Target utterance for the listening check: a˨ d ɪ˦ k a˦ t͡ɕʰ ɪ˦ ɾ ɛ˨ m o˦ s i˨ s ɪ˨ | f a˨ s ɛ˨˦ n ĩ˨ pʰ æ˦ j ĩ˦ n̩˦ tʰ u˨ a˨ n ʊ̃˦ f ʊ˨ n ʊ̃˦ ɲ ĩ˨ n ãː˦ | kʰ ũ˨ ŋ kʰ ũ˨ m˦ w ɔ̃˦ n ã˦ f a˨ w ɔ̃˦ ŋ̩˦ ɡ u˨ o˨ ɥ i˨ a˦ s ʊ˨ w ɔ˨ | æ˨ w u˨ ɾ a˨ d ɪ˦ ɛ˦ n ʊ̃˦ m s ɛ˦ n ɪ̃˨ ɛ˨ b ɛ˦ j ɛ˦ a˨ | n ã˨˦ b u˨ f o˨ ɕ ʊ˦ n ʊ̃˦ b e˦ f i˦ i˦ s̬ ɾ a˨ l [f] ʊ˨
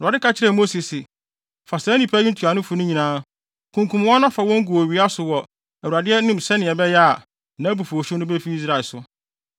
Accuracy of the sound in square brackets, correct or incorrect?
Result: incorrect: s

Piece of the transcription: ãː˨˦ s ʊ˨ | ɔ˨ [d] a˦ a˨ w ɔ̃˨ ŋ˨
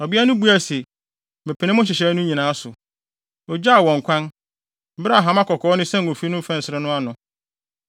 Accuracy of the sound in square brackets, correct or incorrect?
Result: incorrect: d͡ʑ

